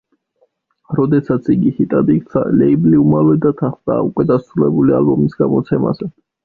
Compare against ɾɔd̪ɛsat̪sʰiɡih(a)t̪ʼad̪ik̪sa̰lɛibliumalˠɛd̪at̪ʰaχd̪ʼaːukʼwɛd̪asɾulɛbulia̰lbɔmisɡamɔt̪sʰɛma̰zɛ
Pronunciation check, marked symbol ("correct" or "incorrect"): incorrect